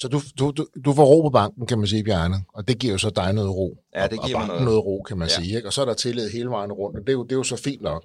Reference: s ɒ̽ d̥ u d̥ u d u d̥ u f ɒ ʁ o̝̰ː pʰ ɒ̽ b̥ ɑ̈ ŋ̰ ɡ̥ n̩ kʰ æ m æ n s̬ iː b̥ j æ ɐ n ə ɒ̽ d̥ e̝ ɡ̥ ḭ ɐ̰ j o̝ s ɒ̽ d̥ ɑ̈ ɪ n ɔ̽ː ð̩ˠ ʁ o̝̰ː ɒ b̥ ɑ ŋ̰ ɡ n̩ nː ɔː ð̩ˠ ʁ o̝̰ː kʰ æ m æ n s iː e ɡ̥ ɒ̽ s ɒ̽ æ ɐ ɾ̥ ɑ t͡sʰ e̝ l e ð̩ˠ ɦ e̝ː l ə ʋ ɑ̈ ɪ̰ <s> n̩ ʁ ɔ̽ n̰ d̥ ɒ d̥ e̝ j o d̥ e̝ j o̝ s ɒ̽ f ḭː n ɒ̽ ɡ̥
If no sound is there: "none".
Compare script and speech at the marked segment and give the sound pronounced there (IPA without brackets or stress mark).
none